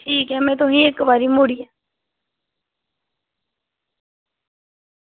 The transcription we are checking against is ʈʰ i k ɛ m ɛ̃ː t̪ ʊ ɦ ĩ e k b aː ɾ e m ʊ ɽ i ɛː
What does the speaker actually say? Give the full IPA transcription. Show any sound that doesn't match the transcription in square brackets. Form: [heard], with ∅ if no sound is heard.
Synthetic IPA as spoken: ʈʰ [iː] k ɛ m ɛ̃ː t̪ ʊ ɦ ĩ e k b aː ɾ [i] m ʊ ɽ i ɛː